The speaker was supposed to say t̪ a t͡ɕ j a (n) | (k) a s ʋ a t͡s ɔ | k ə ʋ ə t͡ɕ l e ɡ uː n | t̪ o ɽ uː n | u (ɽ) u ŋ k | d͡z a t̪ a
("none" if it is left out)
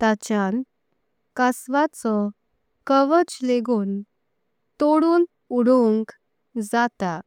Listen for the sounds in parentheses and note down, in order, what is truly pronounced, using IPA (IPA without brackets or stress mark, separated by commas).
n, k, ɽ